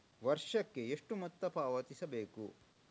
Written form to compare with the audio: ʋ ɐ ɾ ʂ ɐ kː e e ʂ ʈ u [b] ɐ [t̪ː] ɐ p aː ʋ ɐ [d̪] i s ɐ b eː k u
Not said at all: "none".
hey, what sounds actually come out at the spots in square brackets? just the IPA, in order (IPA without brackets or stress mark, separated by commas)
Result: m, t̪ː, t̪